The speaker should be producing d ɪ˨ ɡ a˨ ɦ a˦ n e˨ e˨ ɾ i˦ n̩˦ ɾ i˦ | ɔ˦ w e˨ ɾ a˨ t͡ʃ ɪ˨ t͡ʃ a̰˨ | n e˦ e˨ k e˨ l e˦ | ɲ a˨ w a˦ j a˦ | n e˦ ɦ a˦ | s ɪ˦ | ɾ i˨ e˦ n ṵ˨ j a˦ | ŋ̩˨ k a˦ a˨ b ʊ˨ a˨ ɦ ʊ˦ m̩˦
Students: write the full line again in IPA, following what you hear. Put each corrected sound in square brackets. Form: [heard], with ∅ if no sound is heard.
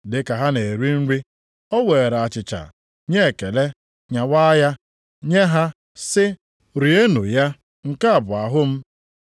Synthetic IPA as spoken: d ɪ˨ [k] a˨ ɦ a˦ n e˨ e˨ ɾ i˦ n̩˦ ɾ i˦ | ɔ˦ w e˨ ɾ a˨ t͡ʃ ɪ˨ t͡ʃ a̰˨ | [ɲ] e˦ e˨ k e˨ l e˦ | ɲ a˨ w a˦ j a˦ | [ɲ] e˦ ɦ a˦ | s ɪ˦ | ɾ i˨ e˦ n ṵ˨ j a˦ | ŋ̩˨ k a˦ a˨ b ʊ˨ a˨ ɦ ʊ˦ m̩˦